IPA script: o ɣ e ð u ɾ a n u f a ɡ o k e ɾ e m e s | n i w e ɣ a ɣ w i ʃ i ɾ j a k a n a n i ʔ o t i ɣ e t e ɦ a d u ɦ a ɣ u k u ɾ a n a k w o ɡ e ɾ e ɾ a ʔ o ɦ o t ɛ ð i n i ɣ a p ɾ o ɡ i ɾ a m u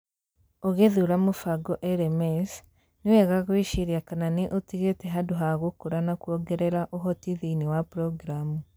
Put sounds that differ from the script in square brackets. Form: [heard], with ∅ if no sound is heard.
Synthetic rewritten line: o ɣ e ð u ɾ a [m] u f a ɡ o [ʔ] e ɾ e m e s | n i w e ɣ a ɣ w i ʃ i ɾ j a k a n a n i ʔ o t i ɣ e t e ɦ a d u ɦ a ɣ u k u ɾ a n a k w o ɡ e ɾ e ɾ a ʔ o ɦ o t [i] ð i n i [w] a p ɾ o ɡ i ɾ a m u